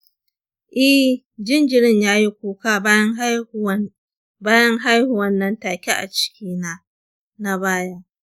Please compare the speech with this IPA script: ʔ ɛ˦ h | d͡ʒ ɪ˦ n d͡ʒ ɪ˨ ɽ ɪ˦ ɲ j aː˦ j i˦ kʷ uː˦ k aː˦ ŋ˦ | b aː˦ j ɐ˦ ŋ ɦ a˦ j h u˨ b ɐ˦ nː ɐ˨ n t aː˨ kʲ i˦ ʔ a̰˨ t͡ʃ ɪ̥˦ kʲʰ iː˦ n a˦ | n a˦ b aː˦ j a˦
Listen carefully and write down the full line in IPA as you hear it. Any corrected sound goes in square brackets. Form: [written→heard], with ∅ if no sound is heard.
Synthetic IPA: ʔ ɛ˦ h | d͡ʒ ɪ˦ n d͡ʒ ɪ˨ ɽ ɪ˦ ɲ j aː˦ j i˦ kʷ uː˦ k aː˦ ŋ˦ | b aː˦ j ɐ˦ ŋ ɦ a˦ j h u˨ [b→w] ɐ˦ nː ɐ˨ n t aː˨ kʲ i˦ ʔ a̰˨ t͡ʃ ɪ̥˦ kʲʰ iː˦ n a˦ | n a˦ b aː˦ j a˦